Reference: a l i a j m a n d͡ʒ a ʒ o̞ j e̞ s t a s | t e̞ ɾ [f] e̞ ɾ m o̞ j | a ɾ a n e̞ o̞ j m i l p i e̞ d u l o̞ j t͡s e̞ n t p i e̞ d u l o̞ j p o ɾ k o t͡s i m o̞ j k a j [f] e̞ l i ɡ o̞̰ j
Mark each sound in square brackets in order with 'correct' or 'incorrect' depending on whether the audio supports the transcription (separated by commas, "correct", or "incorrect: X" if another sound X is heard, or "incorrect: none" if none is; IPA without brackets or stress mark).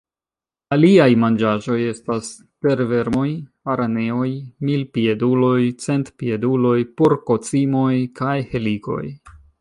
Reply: incorrect: v, incorrect: h